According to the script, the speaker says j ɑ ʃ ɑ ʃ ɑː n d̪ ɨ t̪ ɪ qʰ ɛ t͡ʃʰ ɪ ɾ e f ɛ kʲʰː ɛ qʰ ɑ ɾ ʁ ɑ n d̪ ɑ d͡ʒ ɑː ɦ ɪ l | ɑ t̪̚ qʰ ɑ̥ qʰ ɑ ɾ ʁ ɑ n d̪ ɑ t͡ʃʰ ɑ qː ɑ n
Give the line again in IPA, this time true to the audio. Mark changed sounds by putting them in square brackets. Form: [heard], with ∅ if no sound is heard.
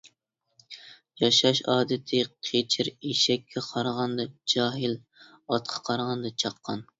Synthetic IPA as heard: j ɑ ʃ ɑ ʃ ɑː [∅] d̪ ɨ [t̪ʰ] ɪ qʰ [e] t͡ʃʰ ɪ ɾ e [ʃ] ɛ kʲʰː ɛ qʰ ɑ ɾ ʁ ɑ n d̪ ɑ d͡ʒ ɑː ɦ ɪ l | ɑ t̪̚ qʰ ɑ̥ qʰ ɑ ɾ ʁ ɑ n d̪ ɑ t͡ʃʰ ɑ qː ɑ n